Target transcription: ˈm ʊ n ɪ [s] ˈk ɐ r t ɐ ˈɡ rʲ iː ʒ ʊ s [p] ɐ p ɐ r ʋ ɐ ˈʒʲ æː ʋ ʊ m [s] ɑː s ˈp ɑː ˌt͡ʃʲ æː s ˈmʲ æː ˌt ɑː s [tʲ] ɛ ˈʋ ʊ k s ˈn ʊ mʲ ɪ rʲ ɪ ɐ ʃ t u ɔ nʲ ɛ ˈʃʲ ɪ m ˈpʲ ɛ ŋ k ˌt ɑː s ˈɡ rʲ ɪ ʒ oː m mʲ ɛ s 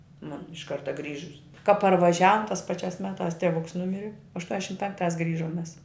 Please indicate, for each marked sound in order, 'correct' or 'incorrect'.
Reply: incorrect, incorrect, incorrect, correct

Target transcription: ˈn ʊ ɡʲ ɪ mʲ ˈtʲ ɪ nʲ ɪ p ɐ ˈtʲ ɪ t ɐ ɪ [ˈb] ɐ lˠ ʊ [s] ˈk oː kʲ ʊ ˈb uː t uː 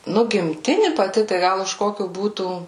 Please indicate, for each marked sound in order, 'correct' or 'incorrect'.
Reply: incorrect, incorrect

